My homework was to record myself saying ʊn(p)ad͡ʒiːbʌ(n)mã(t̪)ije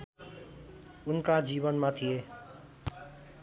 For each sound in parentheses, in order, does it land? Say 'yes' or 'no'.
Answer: no, yes, no

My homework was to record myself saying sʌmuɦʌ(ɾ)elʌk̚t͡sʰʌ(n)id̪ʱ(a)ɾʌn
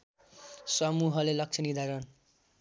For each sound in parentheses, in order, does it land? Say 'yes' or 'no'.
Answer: no, yes, yes

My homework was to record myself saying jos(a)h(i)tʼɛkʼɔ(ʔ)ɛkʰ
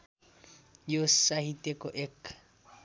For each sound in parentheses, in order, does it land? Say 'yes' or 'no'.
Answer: yes, yes, yes

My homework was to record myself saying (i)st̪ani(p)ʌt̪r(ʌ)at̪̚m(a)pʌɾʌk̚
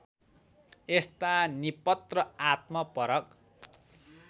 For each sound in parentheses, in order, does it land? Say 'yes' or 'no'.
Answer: no, yes, yes, no

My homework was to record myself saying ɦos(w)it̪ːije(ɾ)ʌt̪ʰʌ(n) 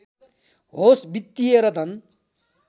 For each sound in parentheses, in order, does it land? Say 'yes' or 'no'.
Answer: no, yes, yes

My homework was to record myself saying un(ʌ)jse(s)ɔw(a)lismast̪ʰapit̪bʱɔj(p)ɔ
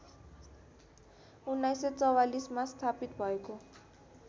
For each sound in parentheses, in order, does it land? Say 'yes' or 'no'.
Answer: no, no, yes, no

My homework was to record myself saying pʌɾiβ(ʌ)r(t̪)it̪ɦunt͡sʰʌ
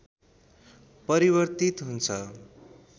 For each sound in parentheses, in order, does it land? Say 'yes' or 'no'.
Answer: yes, yes

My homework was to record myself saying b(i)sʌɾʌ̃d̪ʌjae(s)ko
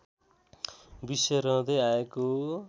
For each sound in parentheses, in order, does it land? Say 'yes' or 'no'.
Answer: yes, no

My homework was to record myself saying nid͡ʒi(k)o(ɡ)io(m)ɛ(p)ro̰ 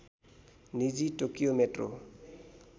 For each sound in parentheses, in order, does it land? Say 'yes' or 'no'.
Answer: no, no, yes, no

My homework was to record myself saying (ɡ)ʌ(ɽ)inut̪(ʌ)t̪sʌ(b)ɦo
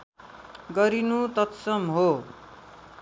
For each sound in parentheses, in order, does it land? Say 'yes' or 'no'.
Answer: yes, no, yes, no

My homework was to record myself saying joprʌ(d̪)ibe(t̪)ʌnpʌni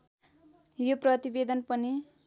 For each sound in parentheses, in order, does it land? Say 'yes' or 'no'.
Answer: no, no

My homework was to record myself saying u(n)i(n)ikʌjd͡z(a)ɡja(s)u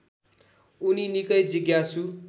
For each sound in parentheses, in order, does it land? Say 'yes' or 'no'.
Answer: yes, yes, no, yes

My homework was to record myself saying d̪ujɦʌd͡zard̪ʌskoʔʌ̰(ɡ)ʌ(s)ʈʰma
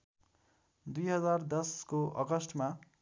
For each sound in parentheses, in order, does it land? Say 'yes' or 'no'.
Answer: yes, yes

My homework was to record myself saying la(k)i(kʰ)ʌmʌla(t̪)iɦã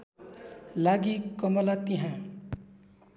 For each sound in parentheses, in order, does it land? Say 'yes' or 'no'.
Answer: no, no, yes

